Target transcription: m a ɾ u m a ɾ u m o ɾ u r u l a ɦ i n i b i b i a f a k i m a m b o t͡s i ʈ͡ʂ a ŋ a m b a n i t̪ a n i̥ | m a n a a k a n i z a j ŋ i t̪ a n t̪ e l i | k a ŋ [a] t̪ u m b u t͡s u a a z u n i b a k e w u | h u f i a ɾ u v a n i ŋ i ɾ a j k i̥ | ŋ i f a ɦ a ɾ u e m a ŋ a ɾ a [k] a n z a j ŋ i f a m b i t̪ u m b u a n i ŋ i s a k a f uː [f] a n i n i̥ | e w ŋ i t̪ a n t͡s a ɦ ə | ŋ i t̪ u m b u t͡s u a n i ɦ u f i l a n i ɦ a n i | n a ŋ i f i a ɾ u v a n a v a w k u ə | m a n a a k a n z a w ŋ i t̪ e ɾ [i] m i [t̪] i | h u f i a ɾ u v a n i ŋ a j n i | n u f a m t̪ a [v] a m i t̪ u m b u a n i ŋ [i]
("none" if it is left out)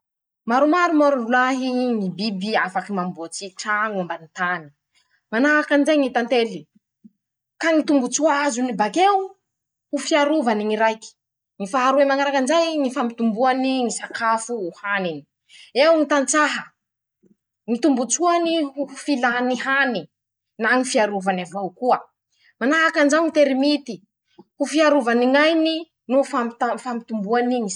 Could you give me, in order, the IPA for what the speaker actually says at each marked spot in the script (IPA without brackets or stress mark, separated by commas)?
i, k, h, i, t̪, f, i